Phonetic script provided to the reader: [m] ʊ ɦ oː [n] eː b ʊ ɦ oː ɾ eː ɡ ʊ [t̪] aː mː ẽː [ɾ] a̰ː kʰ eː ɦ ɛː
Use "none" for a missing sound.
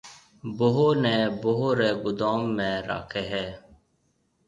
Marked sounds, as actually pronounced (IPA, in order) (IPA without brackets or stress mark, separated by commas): b, n, d̪, ɾ